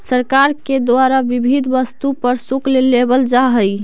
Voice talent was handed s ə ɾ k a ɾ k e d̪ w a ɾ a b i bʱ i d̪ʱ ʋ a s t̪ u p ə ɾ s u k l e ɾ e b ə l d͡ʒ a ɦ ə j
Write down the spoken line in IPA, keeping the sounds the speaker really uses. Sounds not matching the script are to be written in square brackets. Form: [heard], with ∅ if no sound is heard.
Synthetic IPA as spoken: s ə ɾ k a ɾ k e d̪ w a ɾ a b i bʱ i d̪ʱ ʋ [ə] s t̪ u p ə ɾ s u k l e [l] e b ə l d͡ʒ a ɦ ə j